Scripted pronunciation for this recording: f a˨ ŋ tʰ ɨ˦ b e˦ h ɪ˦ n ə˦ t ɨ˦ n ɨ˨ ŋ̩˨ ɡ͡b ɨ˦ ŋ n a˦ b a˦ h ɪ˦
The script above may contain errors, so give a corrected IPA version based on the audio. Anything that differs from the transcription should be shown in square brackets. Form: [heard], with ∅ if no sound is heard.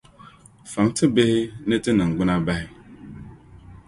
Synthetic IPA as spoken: f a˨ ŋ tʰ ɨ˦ b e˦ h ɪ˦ n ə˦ t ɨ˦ n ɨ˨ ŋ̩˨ ɡ͡b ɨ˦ [∅] n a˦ b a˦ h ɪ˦